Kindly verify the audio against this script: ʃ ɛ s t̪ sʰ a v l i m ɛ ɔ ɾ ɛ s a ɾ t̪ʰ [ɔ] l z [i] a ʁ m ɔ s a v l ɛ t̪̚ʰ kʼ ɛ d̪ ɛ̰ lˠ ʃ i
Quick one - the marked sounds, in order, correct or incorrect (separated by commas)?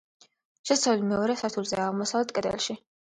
incorrect, incorrect